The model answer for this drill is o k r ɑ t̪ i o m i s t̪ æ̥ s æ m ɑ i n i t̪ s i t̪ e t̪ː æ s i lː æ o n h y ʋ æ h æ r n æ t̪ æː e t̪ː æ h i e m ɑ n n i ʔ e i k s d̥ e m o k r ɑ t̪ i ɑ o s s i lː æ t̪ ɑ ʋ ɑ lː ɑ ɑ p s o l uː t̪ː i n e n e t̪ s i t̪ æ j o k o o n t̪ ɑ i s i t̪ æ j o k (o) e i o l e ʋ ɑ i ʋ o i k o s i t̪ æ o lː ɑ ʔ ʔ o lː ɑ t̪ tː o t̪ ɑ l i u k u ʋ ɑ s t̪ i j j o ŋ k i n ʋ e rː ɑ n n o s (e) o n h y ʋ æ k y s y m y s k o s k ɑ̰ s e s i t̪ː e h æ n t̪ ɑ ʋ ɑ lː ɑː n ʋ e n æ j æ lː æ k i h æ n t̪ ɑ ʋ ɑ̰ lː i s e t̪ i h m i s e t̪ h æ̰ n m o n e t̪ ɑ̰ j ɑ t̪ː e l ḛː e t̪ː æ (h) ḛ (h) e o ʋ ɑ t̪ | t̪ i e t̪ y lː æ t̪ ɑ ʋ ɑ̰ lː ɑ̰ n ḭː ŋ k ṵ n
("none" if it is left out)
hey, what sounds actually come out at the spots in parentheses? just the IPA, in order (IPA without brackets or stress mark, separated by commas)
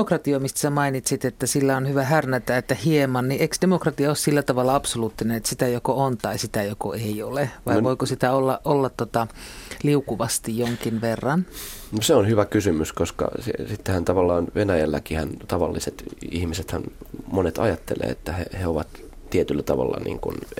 o, e, h, h